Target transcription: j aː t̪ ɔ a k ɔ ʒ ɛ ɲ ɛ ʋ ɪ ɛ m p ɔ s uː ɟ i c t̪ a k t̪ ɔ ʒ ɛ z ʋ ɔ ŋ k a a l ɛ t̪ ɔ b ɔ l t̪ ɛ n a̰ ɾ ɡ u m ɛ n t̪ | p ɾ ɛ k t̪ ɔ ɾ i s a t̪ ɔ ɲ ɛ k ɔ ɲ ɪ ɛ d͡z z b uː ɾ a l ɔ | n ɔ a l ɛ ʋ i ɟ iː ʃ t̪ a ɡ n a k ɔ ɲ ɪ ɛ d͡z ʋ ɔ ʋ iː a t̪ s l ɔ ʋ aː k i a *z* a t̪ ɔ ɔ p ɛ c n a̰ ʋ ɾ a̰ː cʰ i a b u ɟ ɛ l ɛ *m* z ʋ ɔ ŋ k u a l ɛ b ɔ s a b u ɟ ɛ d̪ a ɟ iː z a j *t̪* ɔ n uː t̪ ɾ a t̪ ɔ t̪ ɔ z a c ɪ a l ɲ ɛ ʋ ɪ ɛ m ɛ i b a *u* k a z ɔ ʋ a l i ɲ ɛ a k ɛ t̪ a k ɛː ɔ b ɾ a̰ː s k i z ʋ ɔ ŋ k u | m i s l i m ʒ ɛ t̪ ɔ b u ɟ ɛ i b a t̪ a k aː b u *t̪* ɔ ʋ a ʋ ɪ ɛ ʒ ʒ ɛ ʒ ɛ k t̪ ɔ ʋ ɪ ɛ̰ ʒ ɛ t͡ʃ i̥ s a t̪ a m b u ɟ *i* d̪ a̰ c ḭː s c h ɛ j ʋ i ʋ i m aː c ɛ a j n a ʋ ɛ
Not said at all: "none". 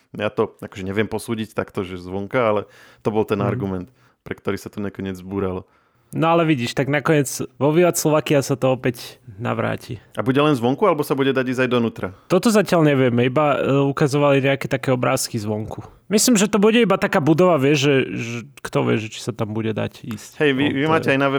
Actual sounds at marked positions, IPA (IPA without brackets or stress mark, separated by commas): s, n, d̪, u, d̪, ɛ